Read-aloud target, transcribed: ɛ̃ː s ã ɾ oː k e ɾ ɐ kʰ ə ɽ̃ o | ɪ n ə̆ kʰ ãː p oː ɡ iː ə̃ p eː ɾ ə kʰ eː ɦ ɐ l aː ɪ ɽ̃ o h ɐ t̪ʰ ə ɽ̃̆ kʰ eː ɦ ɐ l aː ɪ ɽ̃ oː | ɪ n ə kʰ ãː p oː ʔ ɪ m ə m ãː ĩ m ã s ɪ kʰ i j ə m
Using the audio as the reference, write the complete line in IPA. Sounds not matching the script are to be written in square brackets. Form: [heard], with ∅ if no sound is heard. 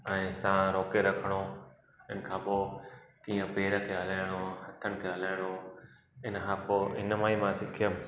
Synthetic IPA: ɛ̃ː s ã ɾ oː k e ɾ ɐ kʰ ə ɽ̃ o | ɪ n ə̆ kʰ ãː p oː [k] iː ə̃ p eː ɾ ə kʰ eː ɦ ɐ l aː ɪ ɽ̃ o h ɐ t̪ʰ ə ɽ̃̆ kʰ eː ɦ ɐ l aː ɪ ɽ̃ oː | ɪ n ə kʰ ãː p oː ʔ ɪ [n] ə m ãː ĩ m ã s ɪ kʰ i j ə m